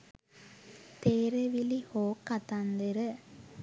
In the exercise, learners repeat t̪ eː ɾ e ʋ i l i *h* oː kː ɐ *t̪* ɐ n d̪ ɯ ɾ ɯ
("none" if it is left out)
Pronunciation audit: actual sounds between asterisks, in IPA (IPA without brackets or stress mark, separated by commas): h, t̪